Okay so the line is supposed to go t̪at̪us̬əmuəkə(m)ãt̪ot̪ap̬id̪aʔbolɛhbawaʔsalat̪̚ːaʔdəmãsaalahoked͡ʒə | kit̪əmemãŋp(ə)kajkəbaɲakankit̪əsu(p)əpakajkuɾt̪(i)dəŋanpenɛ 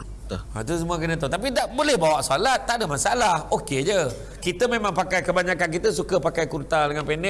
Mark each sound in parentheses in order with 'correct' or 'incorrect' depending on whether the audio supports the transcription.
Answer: incorrect: n, incorrect: a, incorrect: k, incorrect: a

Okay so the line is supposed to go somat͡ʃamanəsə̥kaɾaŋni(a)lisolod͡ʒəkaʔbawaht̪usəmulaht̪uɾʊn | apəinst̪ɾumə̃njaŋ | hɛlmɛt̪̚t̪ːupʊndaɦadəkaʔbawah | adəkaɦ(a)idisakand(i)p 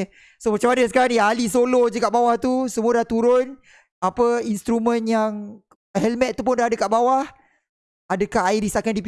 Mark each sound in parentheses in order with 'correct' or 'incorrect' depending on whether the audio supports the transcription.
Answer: correct, correct, correct

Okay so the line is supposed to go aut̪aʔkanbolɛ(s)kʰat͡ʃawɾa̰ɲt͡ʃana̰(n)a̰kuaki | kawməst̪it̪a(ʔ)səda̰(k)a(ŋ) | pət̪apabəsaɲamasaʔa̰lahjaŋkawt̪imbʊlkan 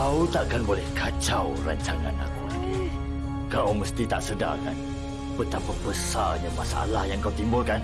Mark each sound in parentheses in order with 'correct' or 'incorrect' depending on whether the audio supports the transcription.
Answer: incorrect: h, correct, correct, correct, incorrect: n

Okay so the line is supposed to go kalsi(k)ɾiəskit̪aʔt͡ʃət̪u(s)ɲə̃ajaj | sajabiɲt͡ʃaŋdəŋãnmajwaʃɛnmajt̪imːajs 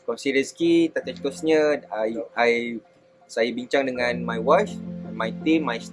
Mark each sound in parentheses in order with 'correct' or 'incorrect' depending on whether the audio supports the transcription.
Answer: incorrect: none, correct

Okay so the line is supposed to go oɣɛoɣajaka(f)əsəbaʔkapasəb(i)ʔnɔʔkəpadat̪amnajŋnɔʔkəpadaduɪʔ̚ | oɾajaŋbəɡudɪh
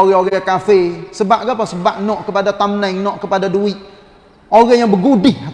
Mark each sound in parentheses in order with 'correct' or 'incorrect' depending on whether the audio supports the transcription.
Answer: correct, incorrect: a

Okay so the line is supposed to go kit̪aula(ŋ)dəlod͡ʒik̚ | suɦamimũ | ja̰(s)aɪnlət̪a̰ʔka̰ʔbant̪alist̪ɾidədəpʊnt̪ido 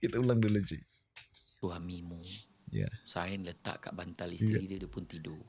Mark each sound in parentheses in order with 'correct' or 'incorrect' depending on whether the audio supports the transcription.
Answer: correct, correct

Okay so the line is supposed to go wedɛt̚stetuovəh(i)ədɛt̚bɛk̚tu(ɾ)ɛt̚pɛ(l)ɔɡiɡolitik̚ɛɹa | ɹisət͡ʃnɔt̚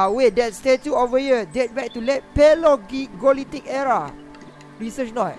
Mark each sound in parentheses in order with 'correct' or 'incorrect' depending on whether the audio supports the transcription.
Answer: correct, incorrect: l, correct

